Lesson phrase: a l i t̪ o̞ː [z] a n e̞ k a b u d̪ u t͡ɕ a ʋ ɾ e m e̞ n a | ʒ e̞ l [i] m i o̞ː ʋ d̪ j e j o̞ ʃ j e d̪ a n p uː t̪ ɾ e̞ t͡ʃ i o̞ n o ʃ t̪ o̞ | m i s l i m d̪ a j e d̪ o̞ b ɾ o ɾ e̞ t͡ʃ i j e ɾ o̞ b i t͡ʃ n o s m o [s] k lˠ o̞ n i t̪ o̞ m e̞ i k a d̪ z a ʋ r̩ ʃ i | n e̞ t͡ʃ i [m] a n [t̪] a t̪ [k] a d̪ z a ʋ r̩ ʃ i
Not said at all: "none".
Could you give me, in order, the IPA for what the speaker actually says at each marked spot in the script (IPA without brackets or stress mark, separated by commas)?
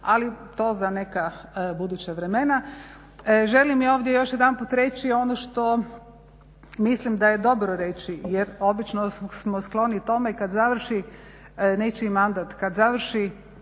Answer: z, i, s, m, d̪, k